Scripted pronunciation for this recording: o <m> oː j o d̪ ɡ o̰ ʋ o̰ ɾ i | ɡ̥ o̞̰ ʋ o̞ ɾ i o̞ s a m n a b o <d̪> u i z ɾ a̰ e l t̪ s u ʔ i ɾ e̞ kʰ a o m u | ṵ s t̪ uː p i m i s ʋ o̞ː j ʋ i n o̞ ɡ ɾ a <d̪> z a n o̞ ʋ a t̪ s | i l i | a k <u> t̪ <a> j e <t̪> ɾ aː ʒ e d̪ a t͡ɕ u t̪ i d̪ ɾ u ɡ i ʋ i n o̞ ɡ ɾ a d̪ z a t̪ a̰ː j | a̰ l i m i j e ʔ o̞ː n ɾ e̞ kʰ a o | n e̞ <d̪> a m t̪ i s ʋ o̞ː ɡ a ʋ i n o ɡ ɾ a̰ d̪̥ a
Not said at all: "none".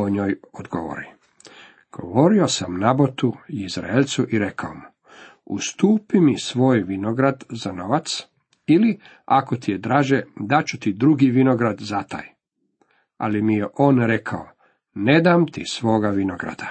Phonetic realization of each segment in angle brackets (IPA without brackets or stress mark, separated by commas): ɲ, t̪, d̪, o, i, d̪, d̪